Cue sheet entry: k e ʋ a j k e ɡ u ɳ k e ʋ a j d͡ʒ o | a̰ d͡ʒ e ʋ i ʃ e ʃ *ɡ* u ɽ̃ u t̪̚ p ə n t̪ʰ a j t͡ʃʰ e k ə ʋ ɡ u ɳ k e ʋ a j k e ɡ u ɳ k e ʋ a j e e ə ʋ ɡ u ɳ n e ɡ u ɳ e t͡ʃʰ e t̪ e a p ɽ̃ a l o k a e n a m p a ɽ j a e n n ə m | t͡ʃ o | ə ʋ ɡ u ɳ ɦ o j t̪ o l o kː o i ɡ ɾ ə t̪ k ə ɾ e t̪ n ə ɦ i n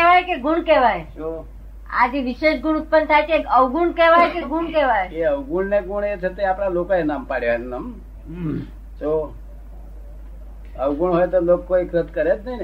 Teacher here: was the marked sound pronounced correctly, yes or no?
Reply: yes